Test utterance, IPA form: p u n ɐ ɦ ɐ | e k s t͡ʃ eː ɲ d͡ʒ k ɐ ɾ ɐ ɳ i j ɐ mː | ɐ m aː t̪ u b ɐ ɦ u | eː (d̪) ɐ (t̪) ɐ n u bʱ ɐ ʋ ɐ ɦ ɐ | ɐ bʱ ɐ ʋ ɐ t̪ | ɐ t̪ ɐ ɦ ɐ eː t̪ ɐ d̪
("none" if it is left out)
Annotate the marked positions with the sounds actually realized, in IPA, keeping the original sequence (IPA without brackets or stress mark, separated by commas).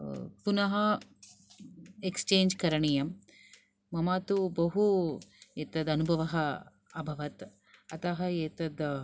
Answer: t̪, d̪